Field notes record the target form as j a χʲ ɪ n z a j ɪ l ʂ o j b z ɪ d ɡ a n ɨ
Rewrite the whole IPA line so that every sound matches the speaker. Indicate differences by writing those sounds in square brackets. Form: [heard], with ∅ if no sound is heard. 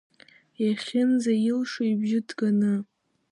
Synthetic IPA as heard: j a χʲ ɪ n z a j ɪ l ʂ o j b [ʒ] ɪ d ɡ a n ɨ